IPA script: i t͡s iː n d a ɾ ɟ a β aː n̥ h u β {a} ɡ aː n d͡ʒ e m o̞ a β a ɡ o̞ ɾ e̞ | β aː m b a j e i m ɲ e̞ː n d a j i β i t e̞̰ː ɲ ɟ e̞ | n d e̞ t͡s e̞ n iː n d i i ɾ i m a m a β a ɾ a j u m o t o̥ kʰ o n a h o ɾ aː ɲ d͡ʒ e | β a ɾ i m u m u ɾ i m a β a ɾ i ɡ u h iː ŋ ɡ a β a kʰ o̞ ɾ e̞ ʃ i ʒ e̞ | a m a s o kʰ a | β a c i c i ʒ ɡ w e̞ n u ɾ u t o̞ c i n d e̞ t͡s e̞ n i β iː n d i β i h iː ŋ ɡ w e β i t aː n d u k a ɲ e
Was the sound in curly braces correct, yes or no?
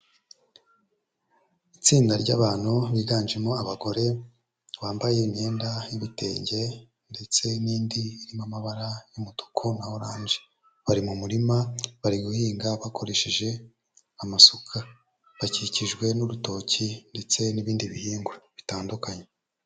no